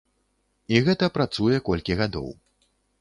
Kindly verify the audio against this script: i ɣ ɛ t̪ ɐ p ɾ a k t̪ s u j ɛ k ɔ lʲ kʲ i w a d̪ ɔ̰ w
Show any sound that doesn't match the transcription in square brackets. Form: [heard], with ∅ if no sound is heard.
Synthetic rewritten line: i ɣ ɛ t̪ ɐ p ɾ a [∅] t̪ s u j ɛ k ɔ lʲ kʲ i [ɣ] a d̪ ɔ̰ w